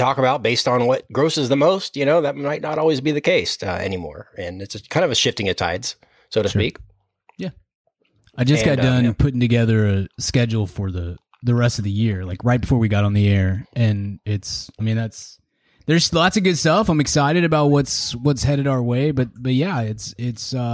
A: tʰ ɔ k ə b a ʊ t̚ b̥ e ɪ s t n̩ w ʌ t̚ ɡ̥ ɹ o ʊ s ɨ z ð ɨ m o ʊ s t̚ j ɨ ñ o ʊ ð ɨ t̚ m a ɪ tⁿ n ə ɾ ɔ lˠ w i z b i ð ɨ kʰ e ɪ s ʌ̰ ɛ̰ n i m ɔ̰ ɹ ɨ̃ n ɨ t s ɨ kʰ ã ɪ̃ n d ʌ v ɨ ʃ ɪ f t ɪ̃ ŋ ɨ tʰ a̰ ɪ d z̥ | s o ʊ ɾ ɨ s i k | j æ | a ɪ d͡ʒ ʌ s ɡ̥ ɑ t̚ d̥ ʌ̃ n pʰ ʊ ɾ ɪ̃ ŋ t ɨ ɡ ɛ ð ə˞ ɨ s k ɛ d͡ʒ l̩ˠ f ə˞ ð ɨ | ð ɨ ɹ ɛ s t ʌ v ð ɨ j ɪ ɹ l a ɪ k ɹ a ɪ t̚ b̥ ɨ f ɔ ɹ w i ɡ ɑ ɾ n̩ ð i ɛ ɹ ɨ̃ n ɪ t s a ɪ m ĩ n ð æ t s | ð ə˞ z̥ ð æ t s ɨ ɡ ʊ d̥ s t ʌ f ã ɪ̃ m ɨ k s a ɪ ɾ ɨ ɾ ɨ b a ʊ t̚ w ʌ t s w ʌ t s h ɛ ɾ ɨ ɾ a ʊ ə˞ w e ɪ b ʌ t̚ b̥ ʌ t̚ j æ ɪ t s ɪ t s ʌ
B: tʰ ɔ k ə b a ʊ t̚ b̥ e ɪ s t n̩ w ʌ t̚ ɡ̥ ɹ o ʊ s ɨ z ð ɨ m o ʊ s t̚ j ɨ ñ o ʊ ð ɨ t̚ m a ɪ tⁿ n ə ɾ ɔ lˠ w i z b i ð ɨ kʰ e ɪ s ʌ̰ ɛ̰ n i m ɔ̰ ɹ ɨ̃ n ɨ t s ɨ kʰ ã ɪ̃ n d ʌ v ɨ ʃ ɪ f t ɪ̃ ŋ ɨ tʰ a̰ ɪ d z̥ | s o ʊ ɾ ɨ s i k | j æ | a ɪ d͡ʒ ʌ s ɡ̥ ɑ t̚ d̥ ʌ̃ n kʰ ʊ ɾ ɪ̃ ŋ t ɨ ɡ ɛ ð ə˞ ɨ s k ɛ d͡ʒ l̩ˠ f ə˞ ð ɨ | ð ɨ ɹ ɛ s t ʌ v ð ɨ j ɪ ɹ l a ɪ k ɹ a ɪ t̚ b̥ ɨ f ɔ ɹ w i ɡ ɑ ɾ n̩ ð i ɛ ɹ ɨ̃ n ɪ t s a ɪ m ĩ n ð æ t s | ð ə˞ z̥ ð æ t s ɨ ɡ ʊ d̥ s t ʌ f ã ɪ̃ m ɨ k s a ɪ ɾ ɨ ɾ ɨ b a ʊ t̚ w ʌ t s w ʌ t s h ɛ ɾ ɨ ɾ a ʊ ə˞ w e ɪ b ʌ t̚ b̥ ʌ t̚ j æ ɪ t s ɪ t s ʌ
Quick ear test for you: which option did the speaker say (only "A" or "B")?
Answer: A